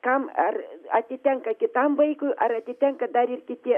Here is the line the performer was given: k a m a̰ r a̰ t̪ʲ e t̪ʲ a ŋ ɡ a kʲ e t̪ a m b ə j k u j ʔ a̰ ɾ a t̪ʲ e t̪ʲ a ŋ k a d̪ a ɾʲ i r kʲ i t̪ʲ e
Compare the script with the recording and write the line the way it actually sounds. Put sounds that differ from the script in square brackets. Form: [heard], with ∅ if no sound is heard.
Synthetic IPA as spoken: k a m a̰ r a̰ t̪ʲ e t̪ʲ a ŋ [k] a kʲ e t̪ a m b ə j k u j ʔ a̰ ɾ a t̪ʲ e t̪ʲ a ŋ k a d̪ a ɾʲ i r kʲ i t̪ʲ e